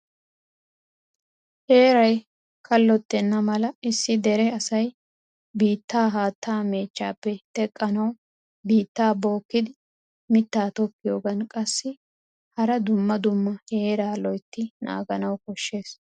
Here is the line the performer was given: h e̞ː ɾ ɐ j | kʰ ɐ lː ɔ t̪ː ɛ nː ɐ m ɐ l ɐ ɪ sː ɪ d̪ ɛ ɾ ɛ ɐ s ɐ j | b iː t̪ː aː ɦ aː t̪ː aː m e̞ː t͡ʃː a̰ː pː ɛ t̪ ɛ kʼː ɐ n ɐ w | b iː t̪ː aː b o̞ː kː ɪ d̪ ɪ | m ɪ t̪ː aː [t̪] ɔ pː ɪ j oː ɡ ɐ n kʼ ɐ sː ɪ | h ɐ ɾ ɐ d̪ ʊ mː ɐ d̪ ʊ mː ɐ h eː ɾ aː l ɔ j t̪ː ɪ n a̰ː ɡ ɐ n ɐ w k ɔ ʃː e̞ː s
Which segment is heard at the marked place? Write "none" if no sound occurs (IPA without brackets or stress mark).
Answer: t̪